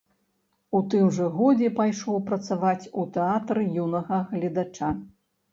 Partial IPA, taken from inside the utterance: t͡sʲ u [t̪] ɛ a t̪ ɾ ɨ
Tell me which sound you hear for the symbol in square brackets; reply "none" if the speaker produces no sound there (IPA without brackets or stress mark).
t̪